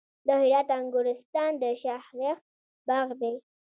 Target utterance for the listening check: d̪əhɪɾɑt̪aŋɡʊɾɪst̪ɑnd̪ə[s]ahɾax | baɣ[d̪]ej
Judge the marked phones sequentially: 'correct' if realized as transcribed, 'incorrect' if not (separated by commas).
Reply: incorrect, correct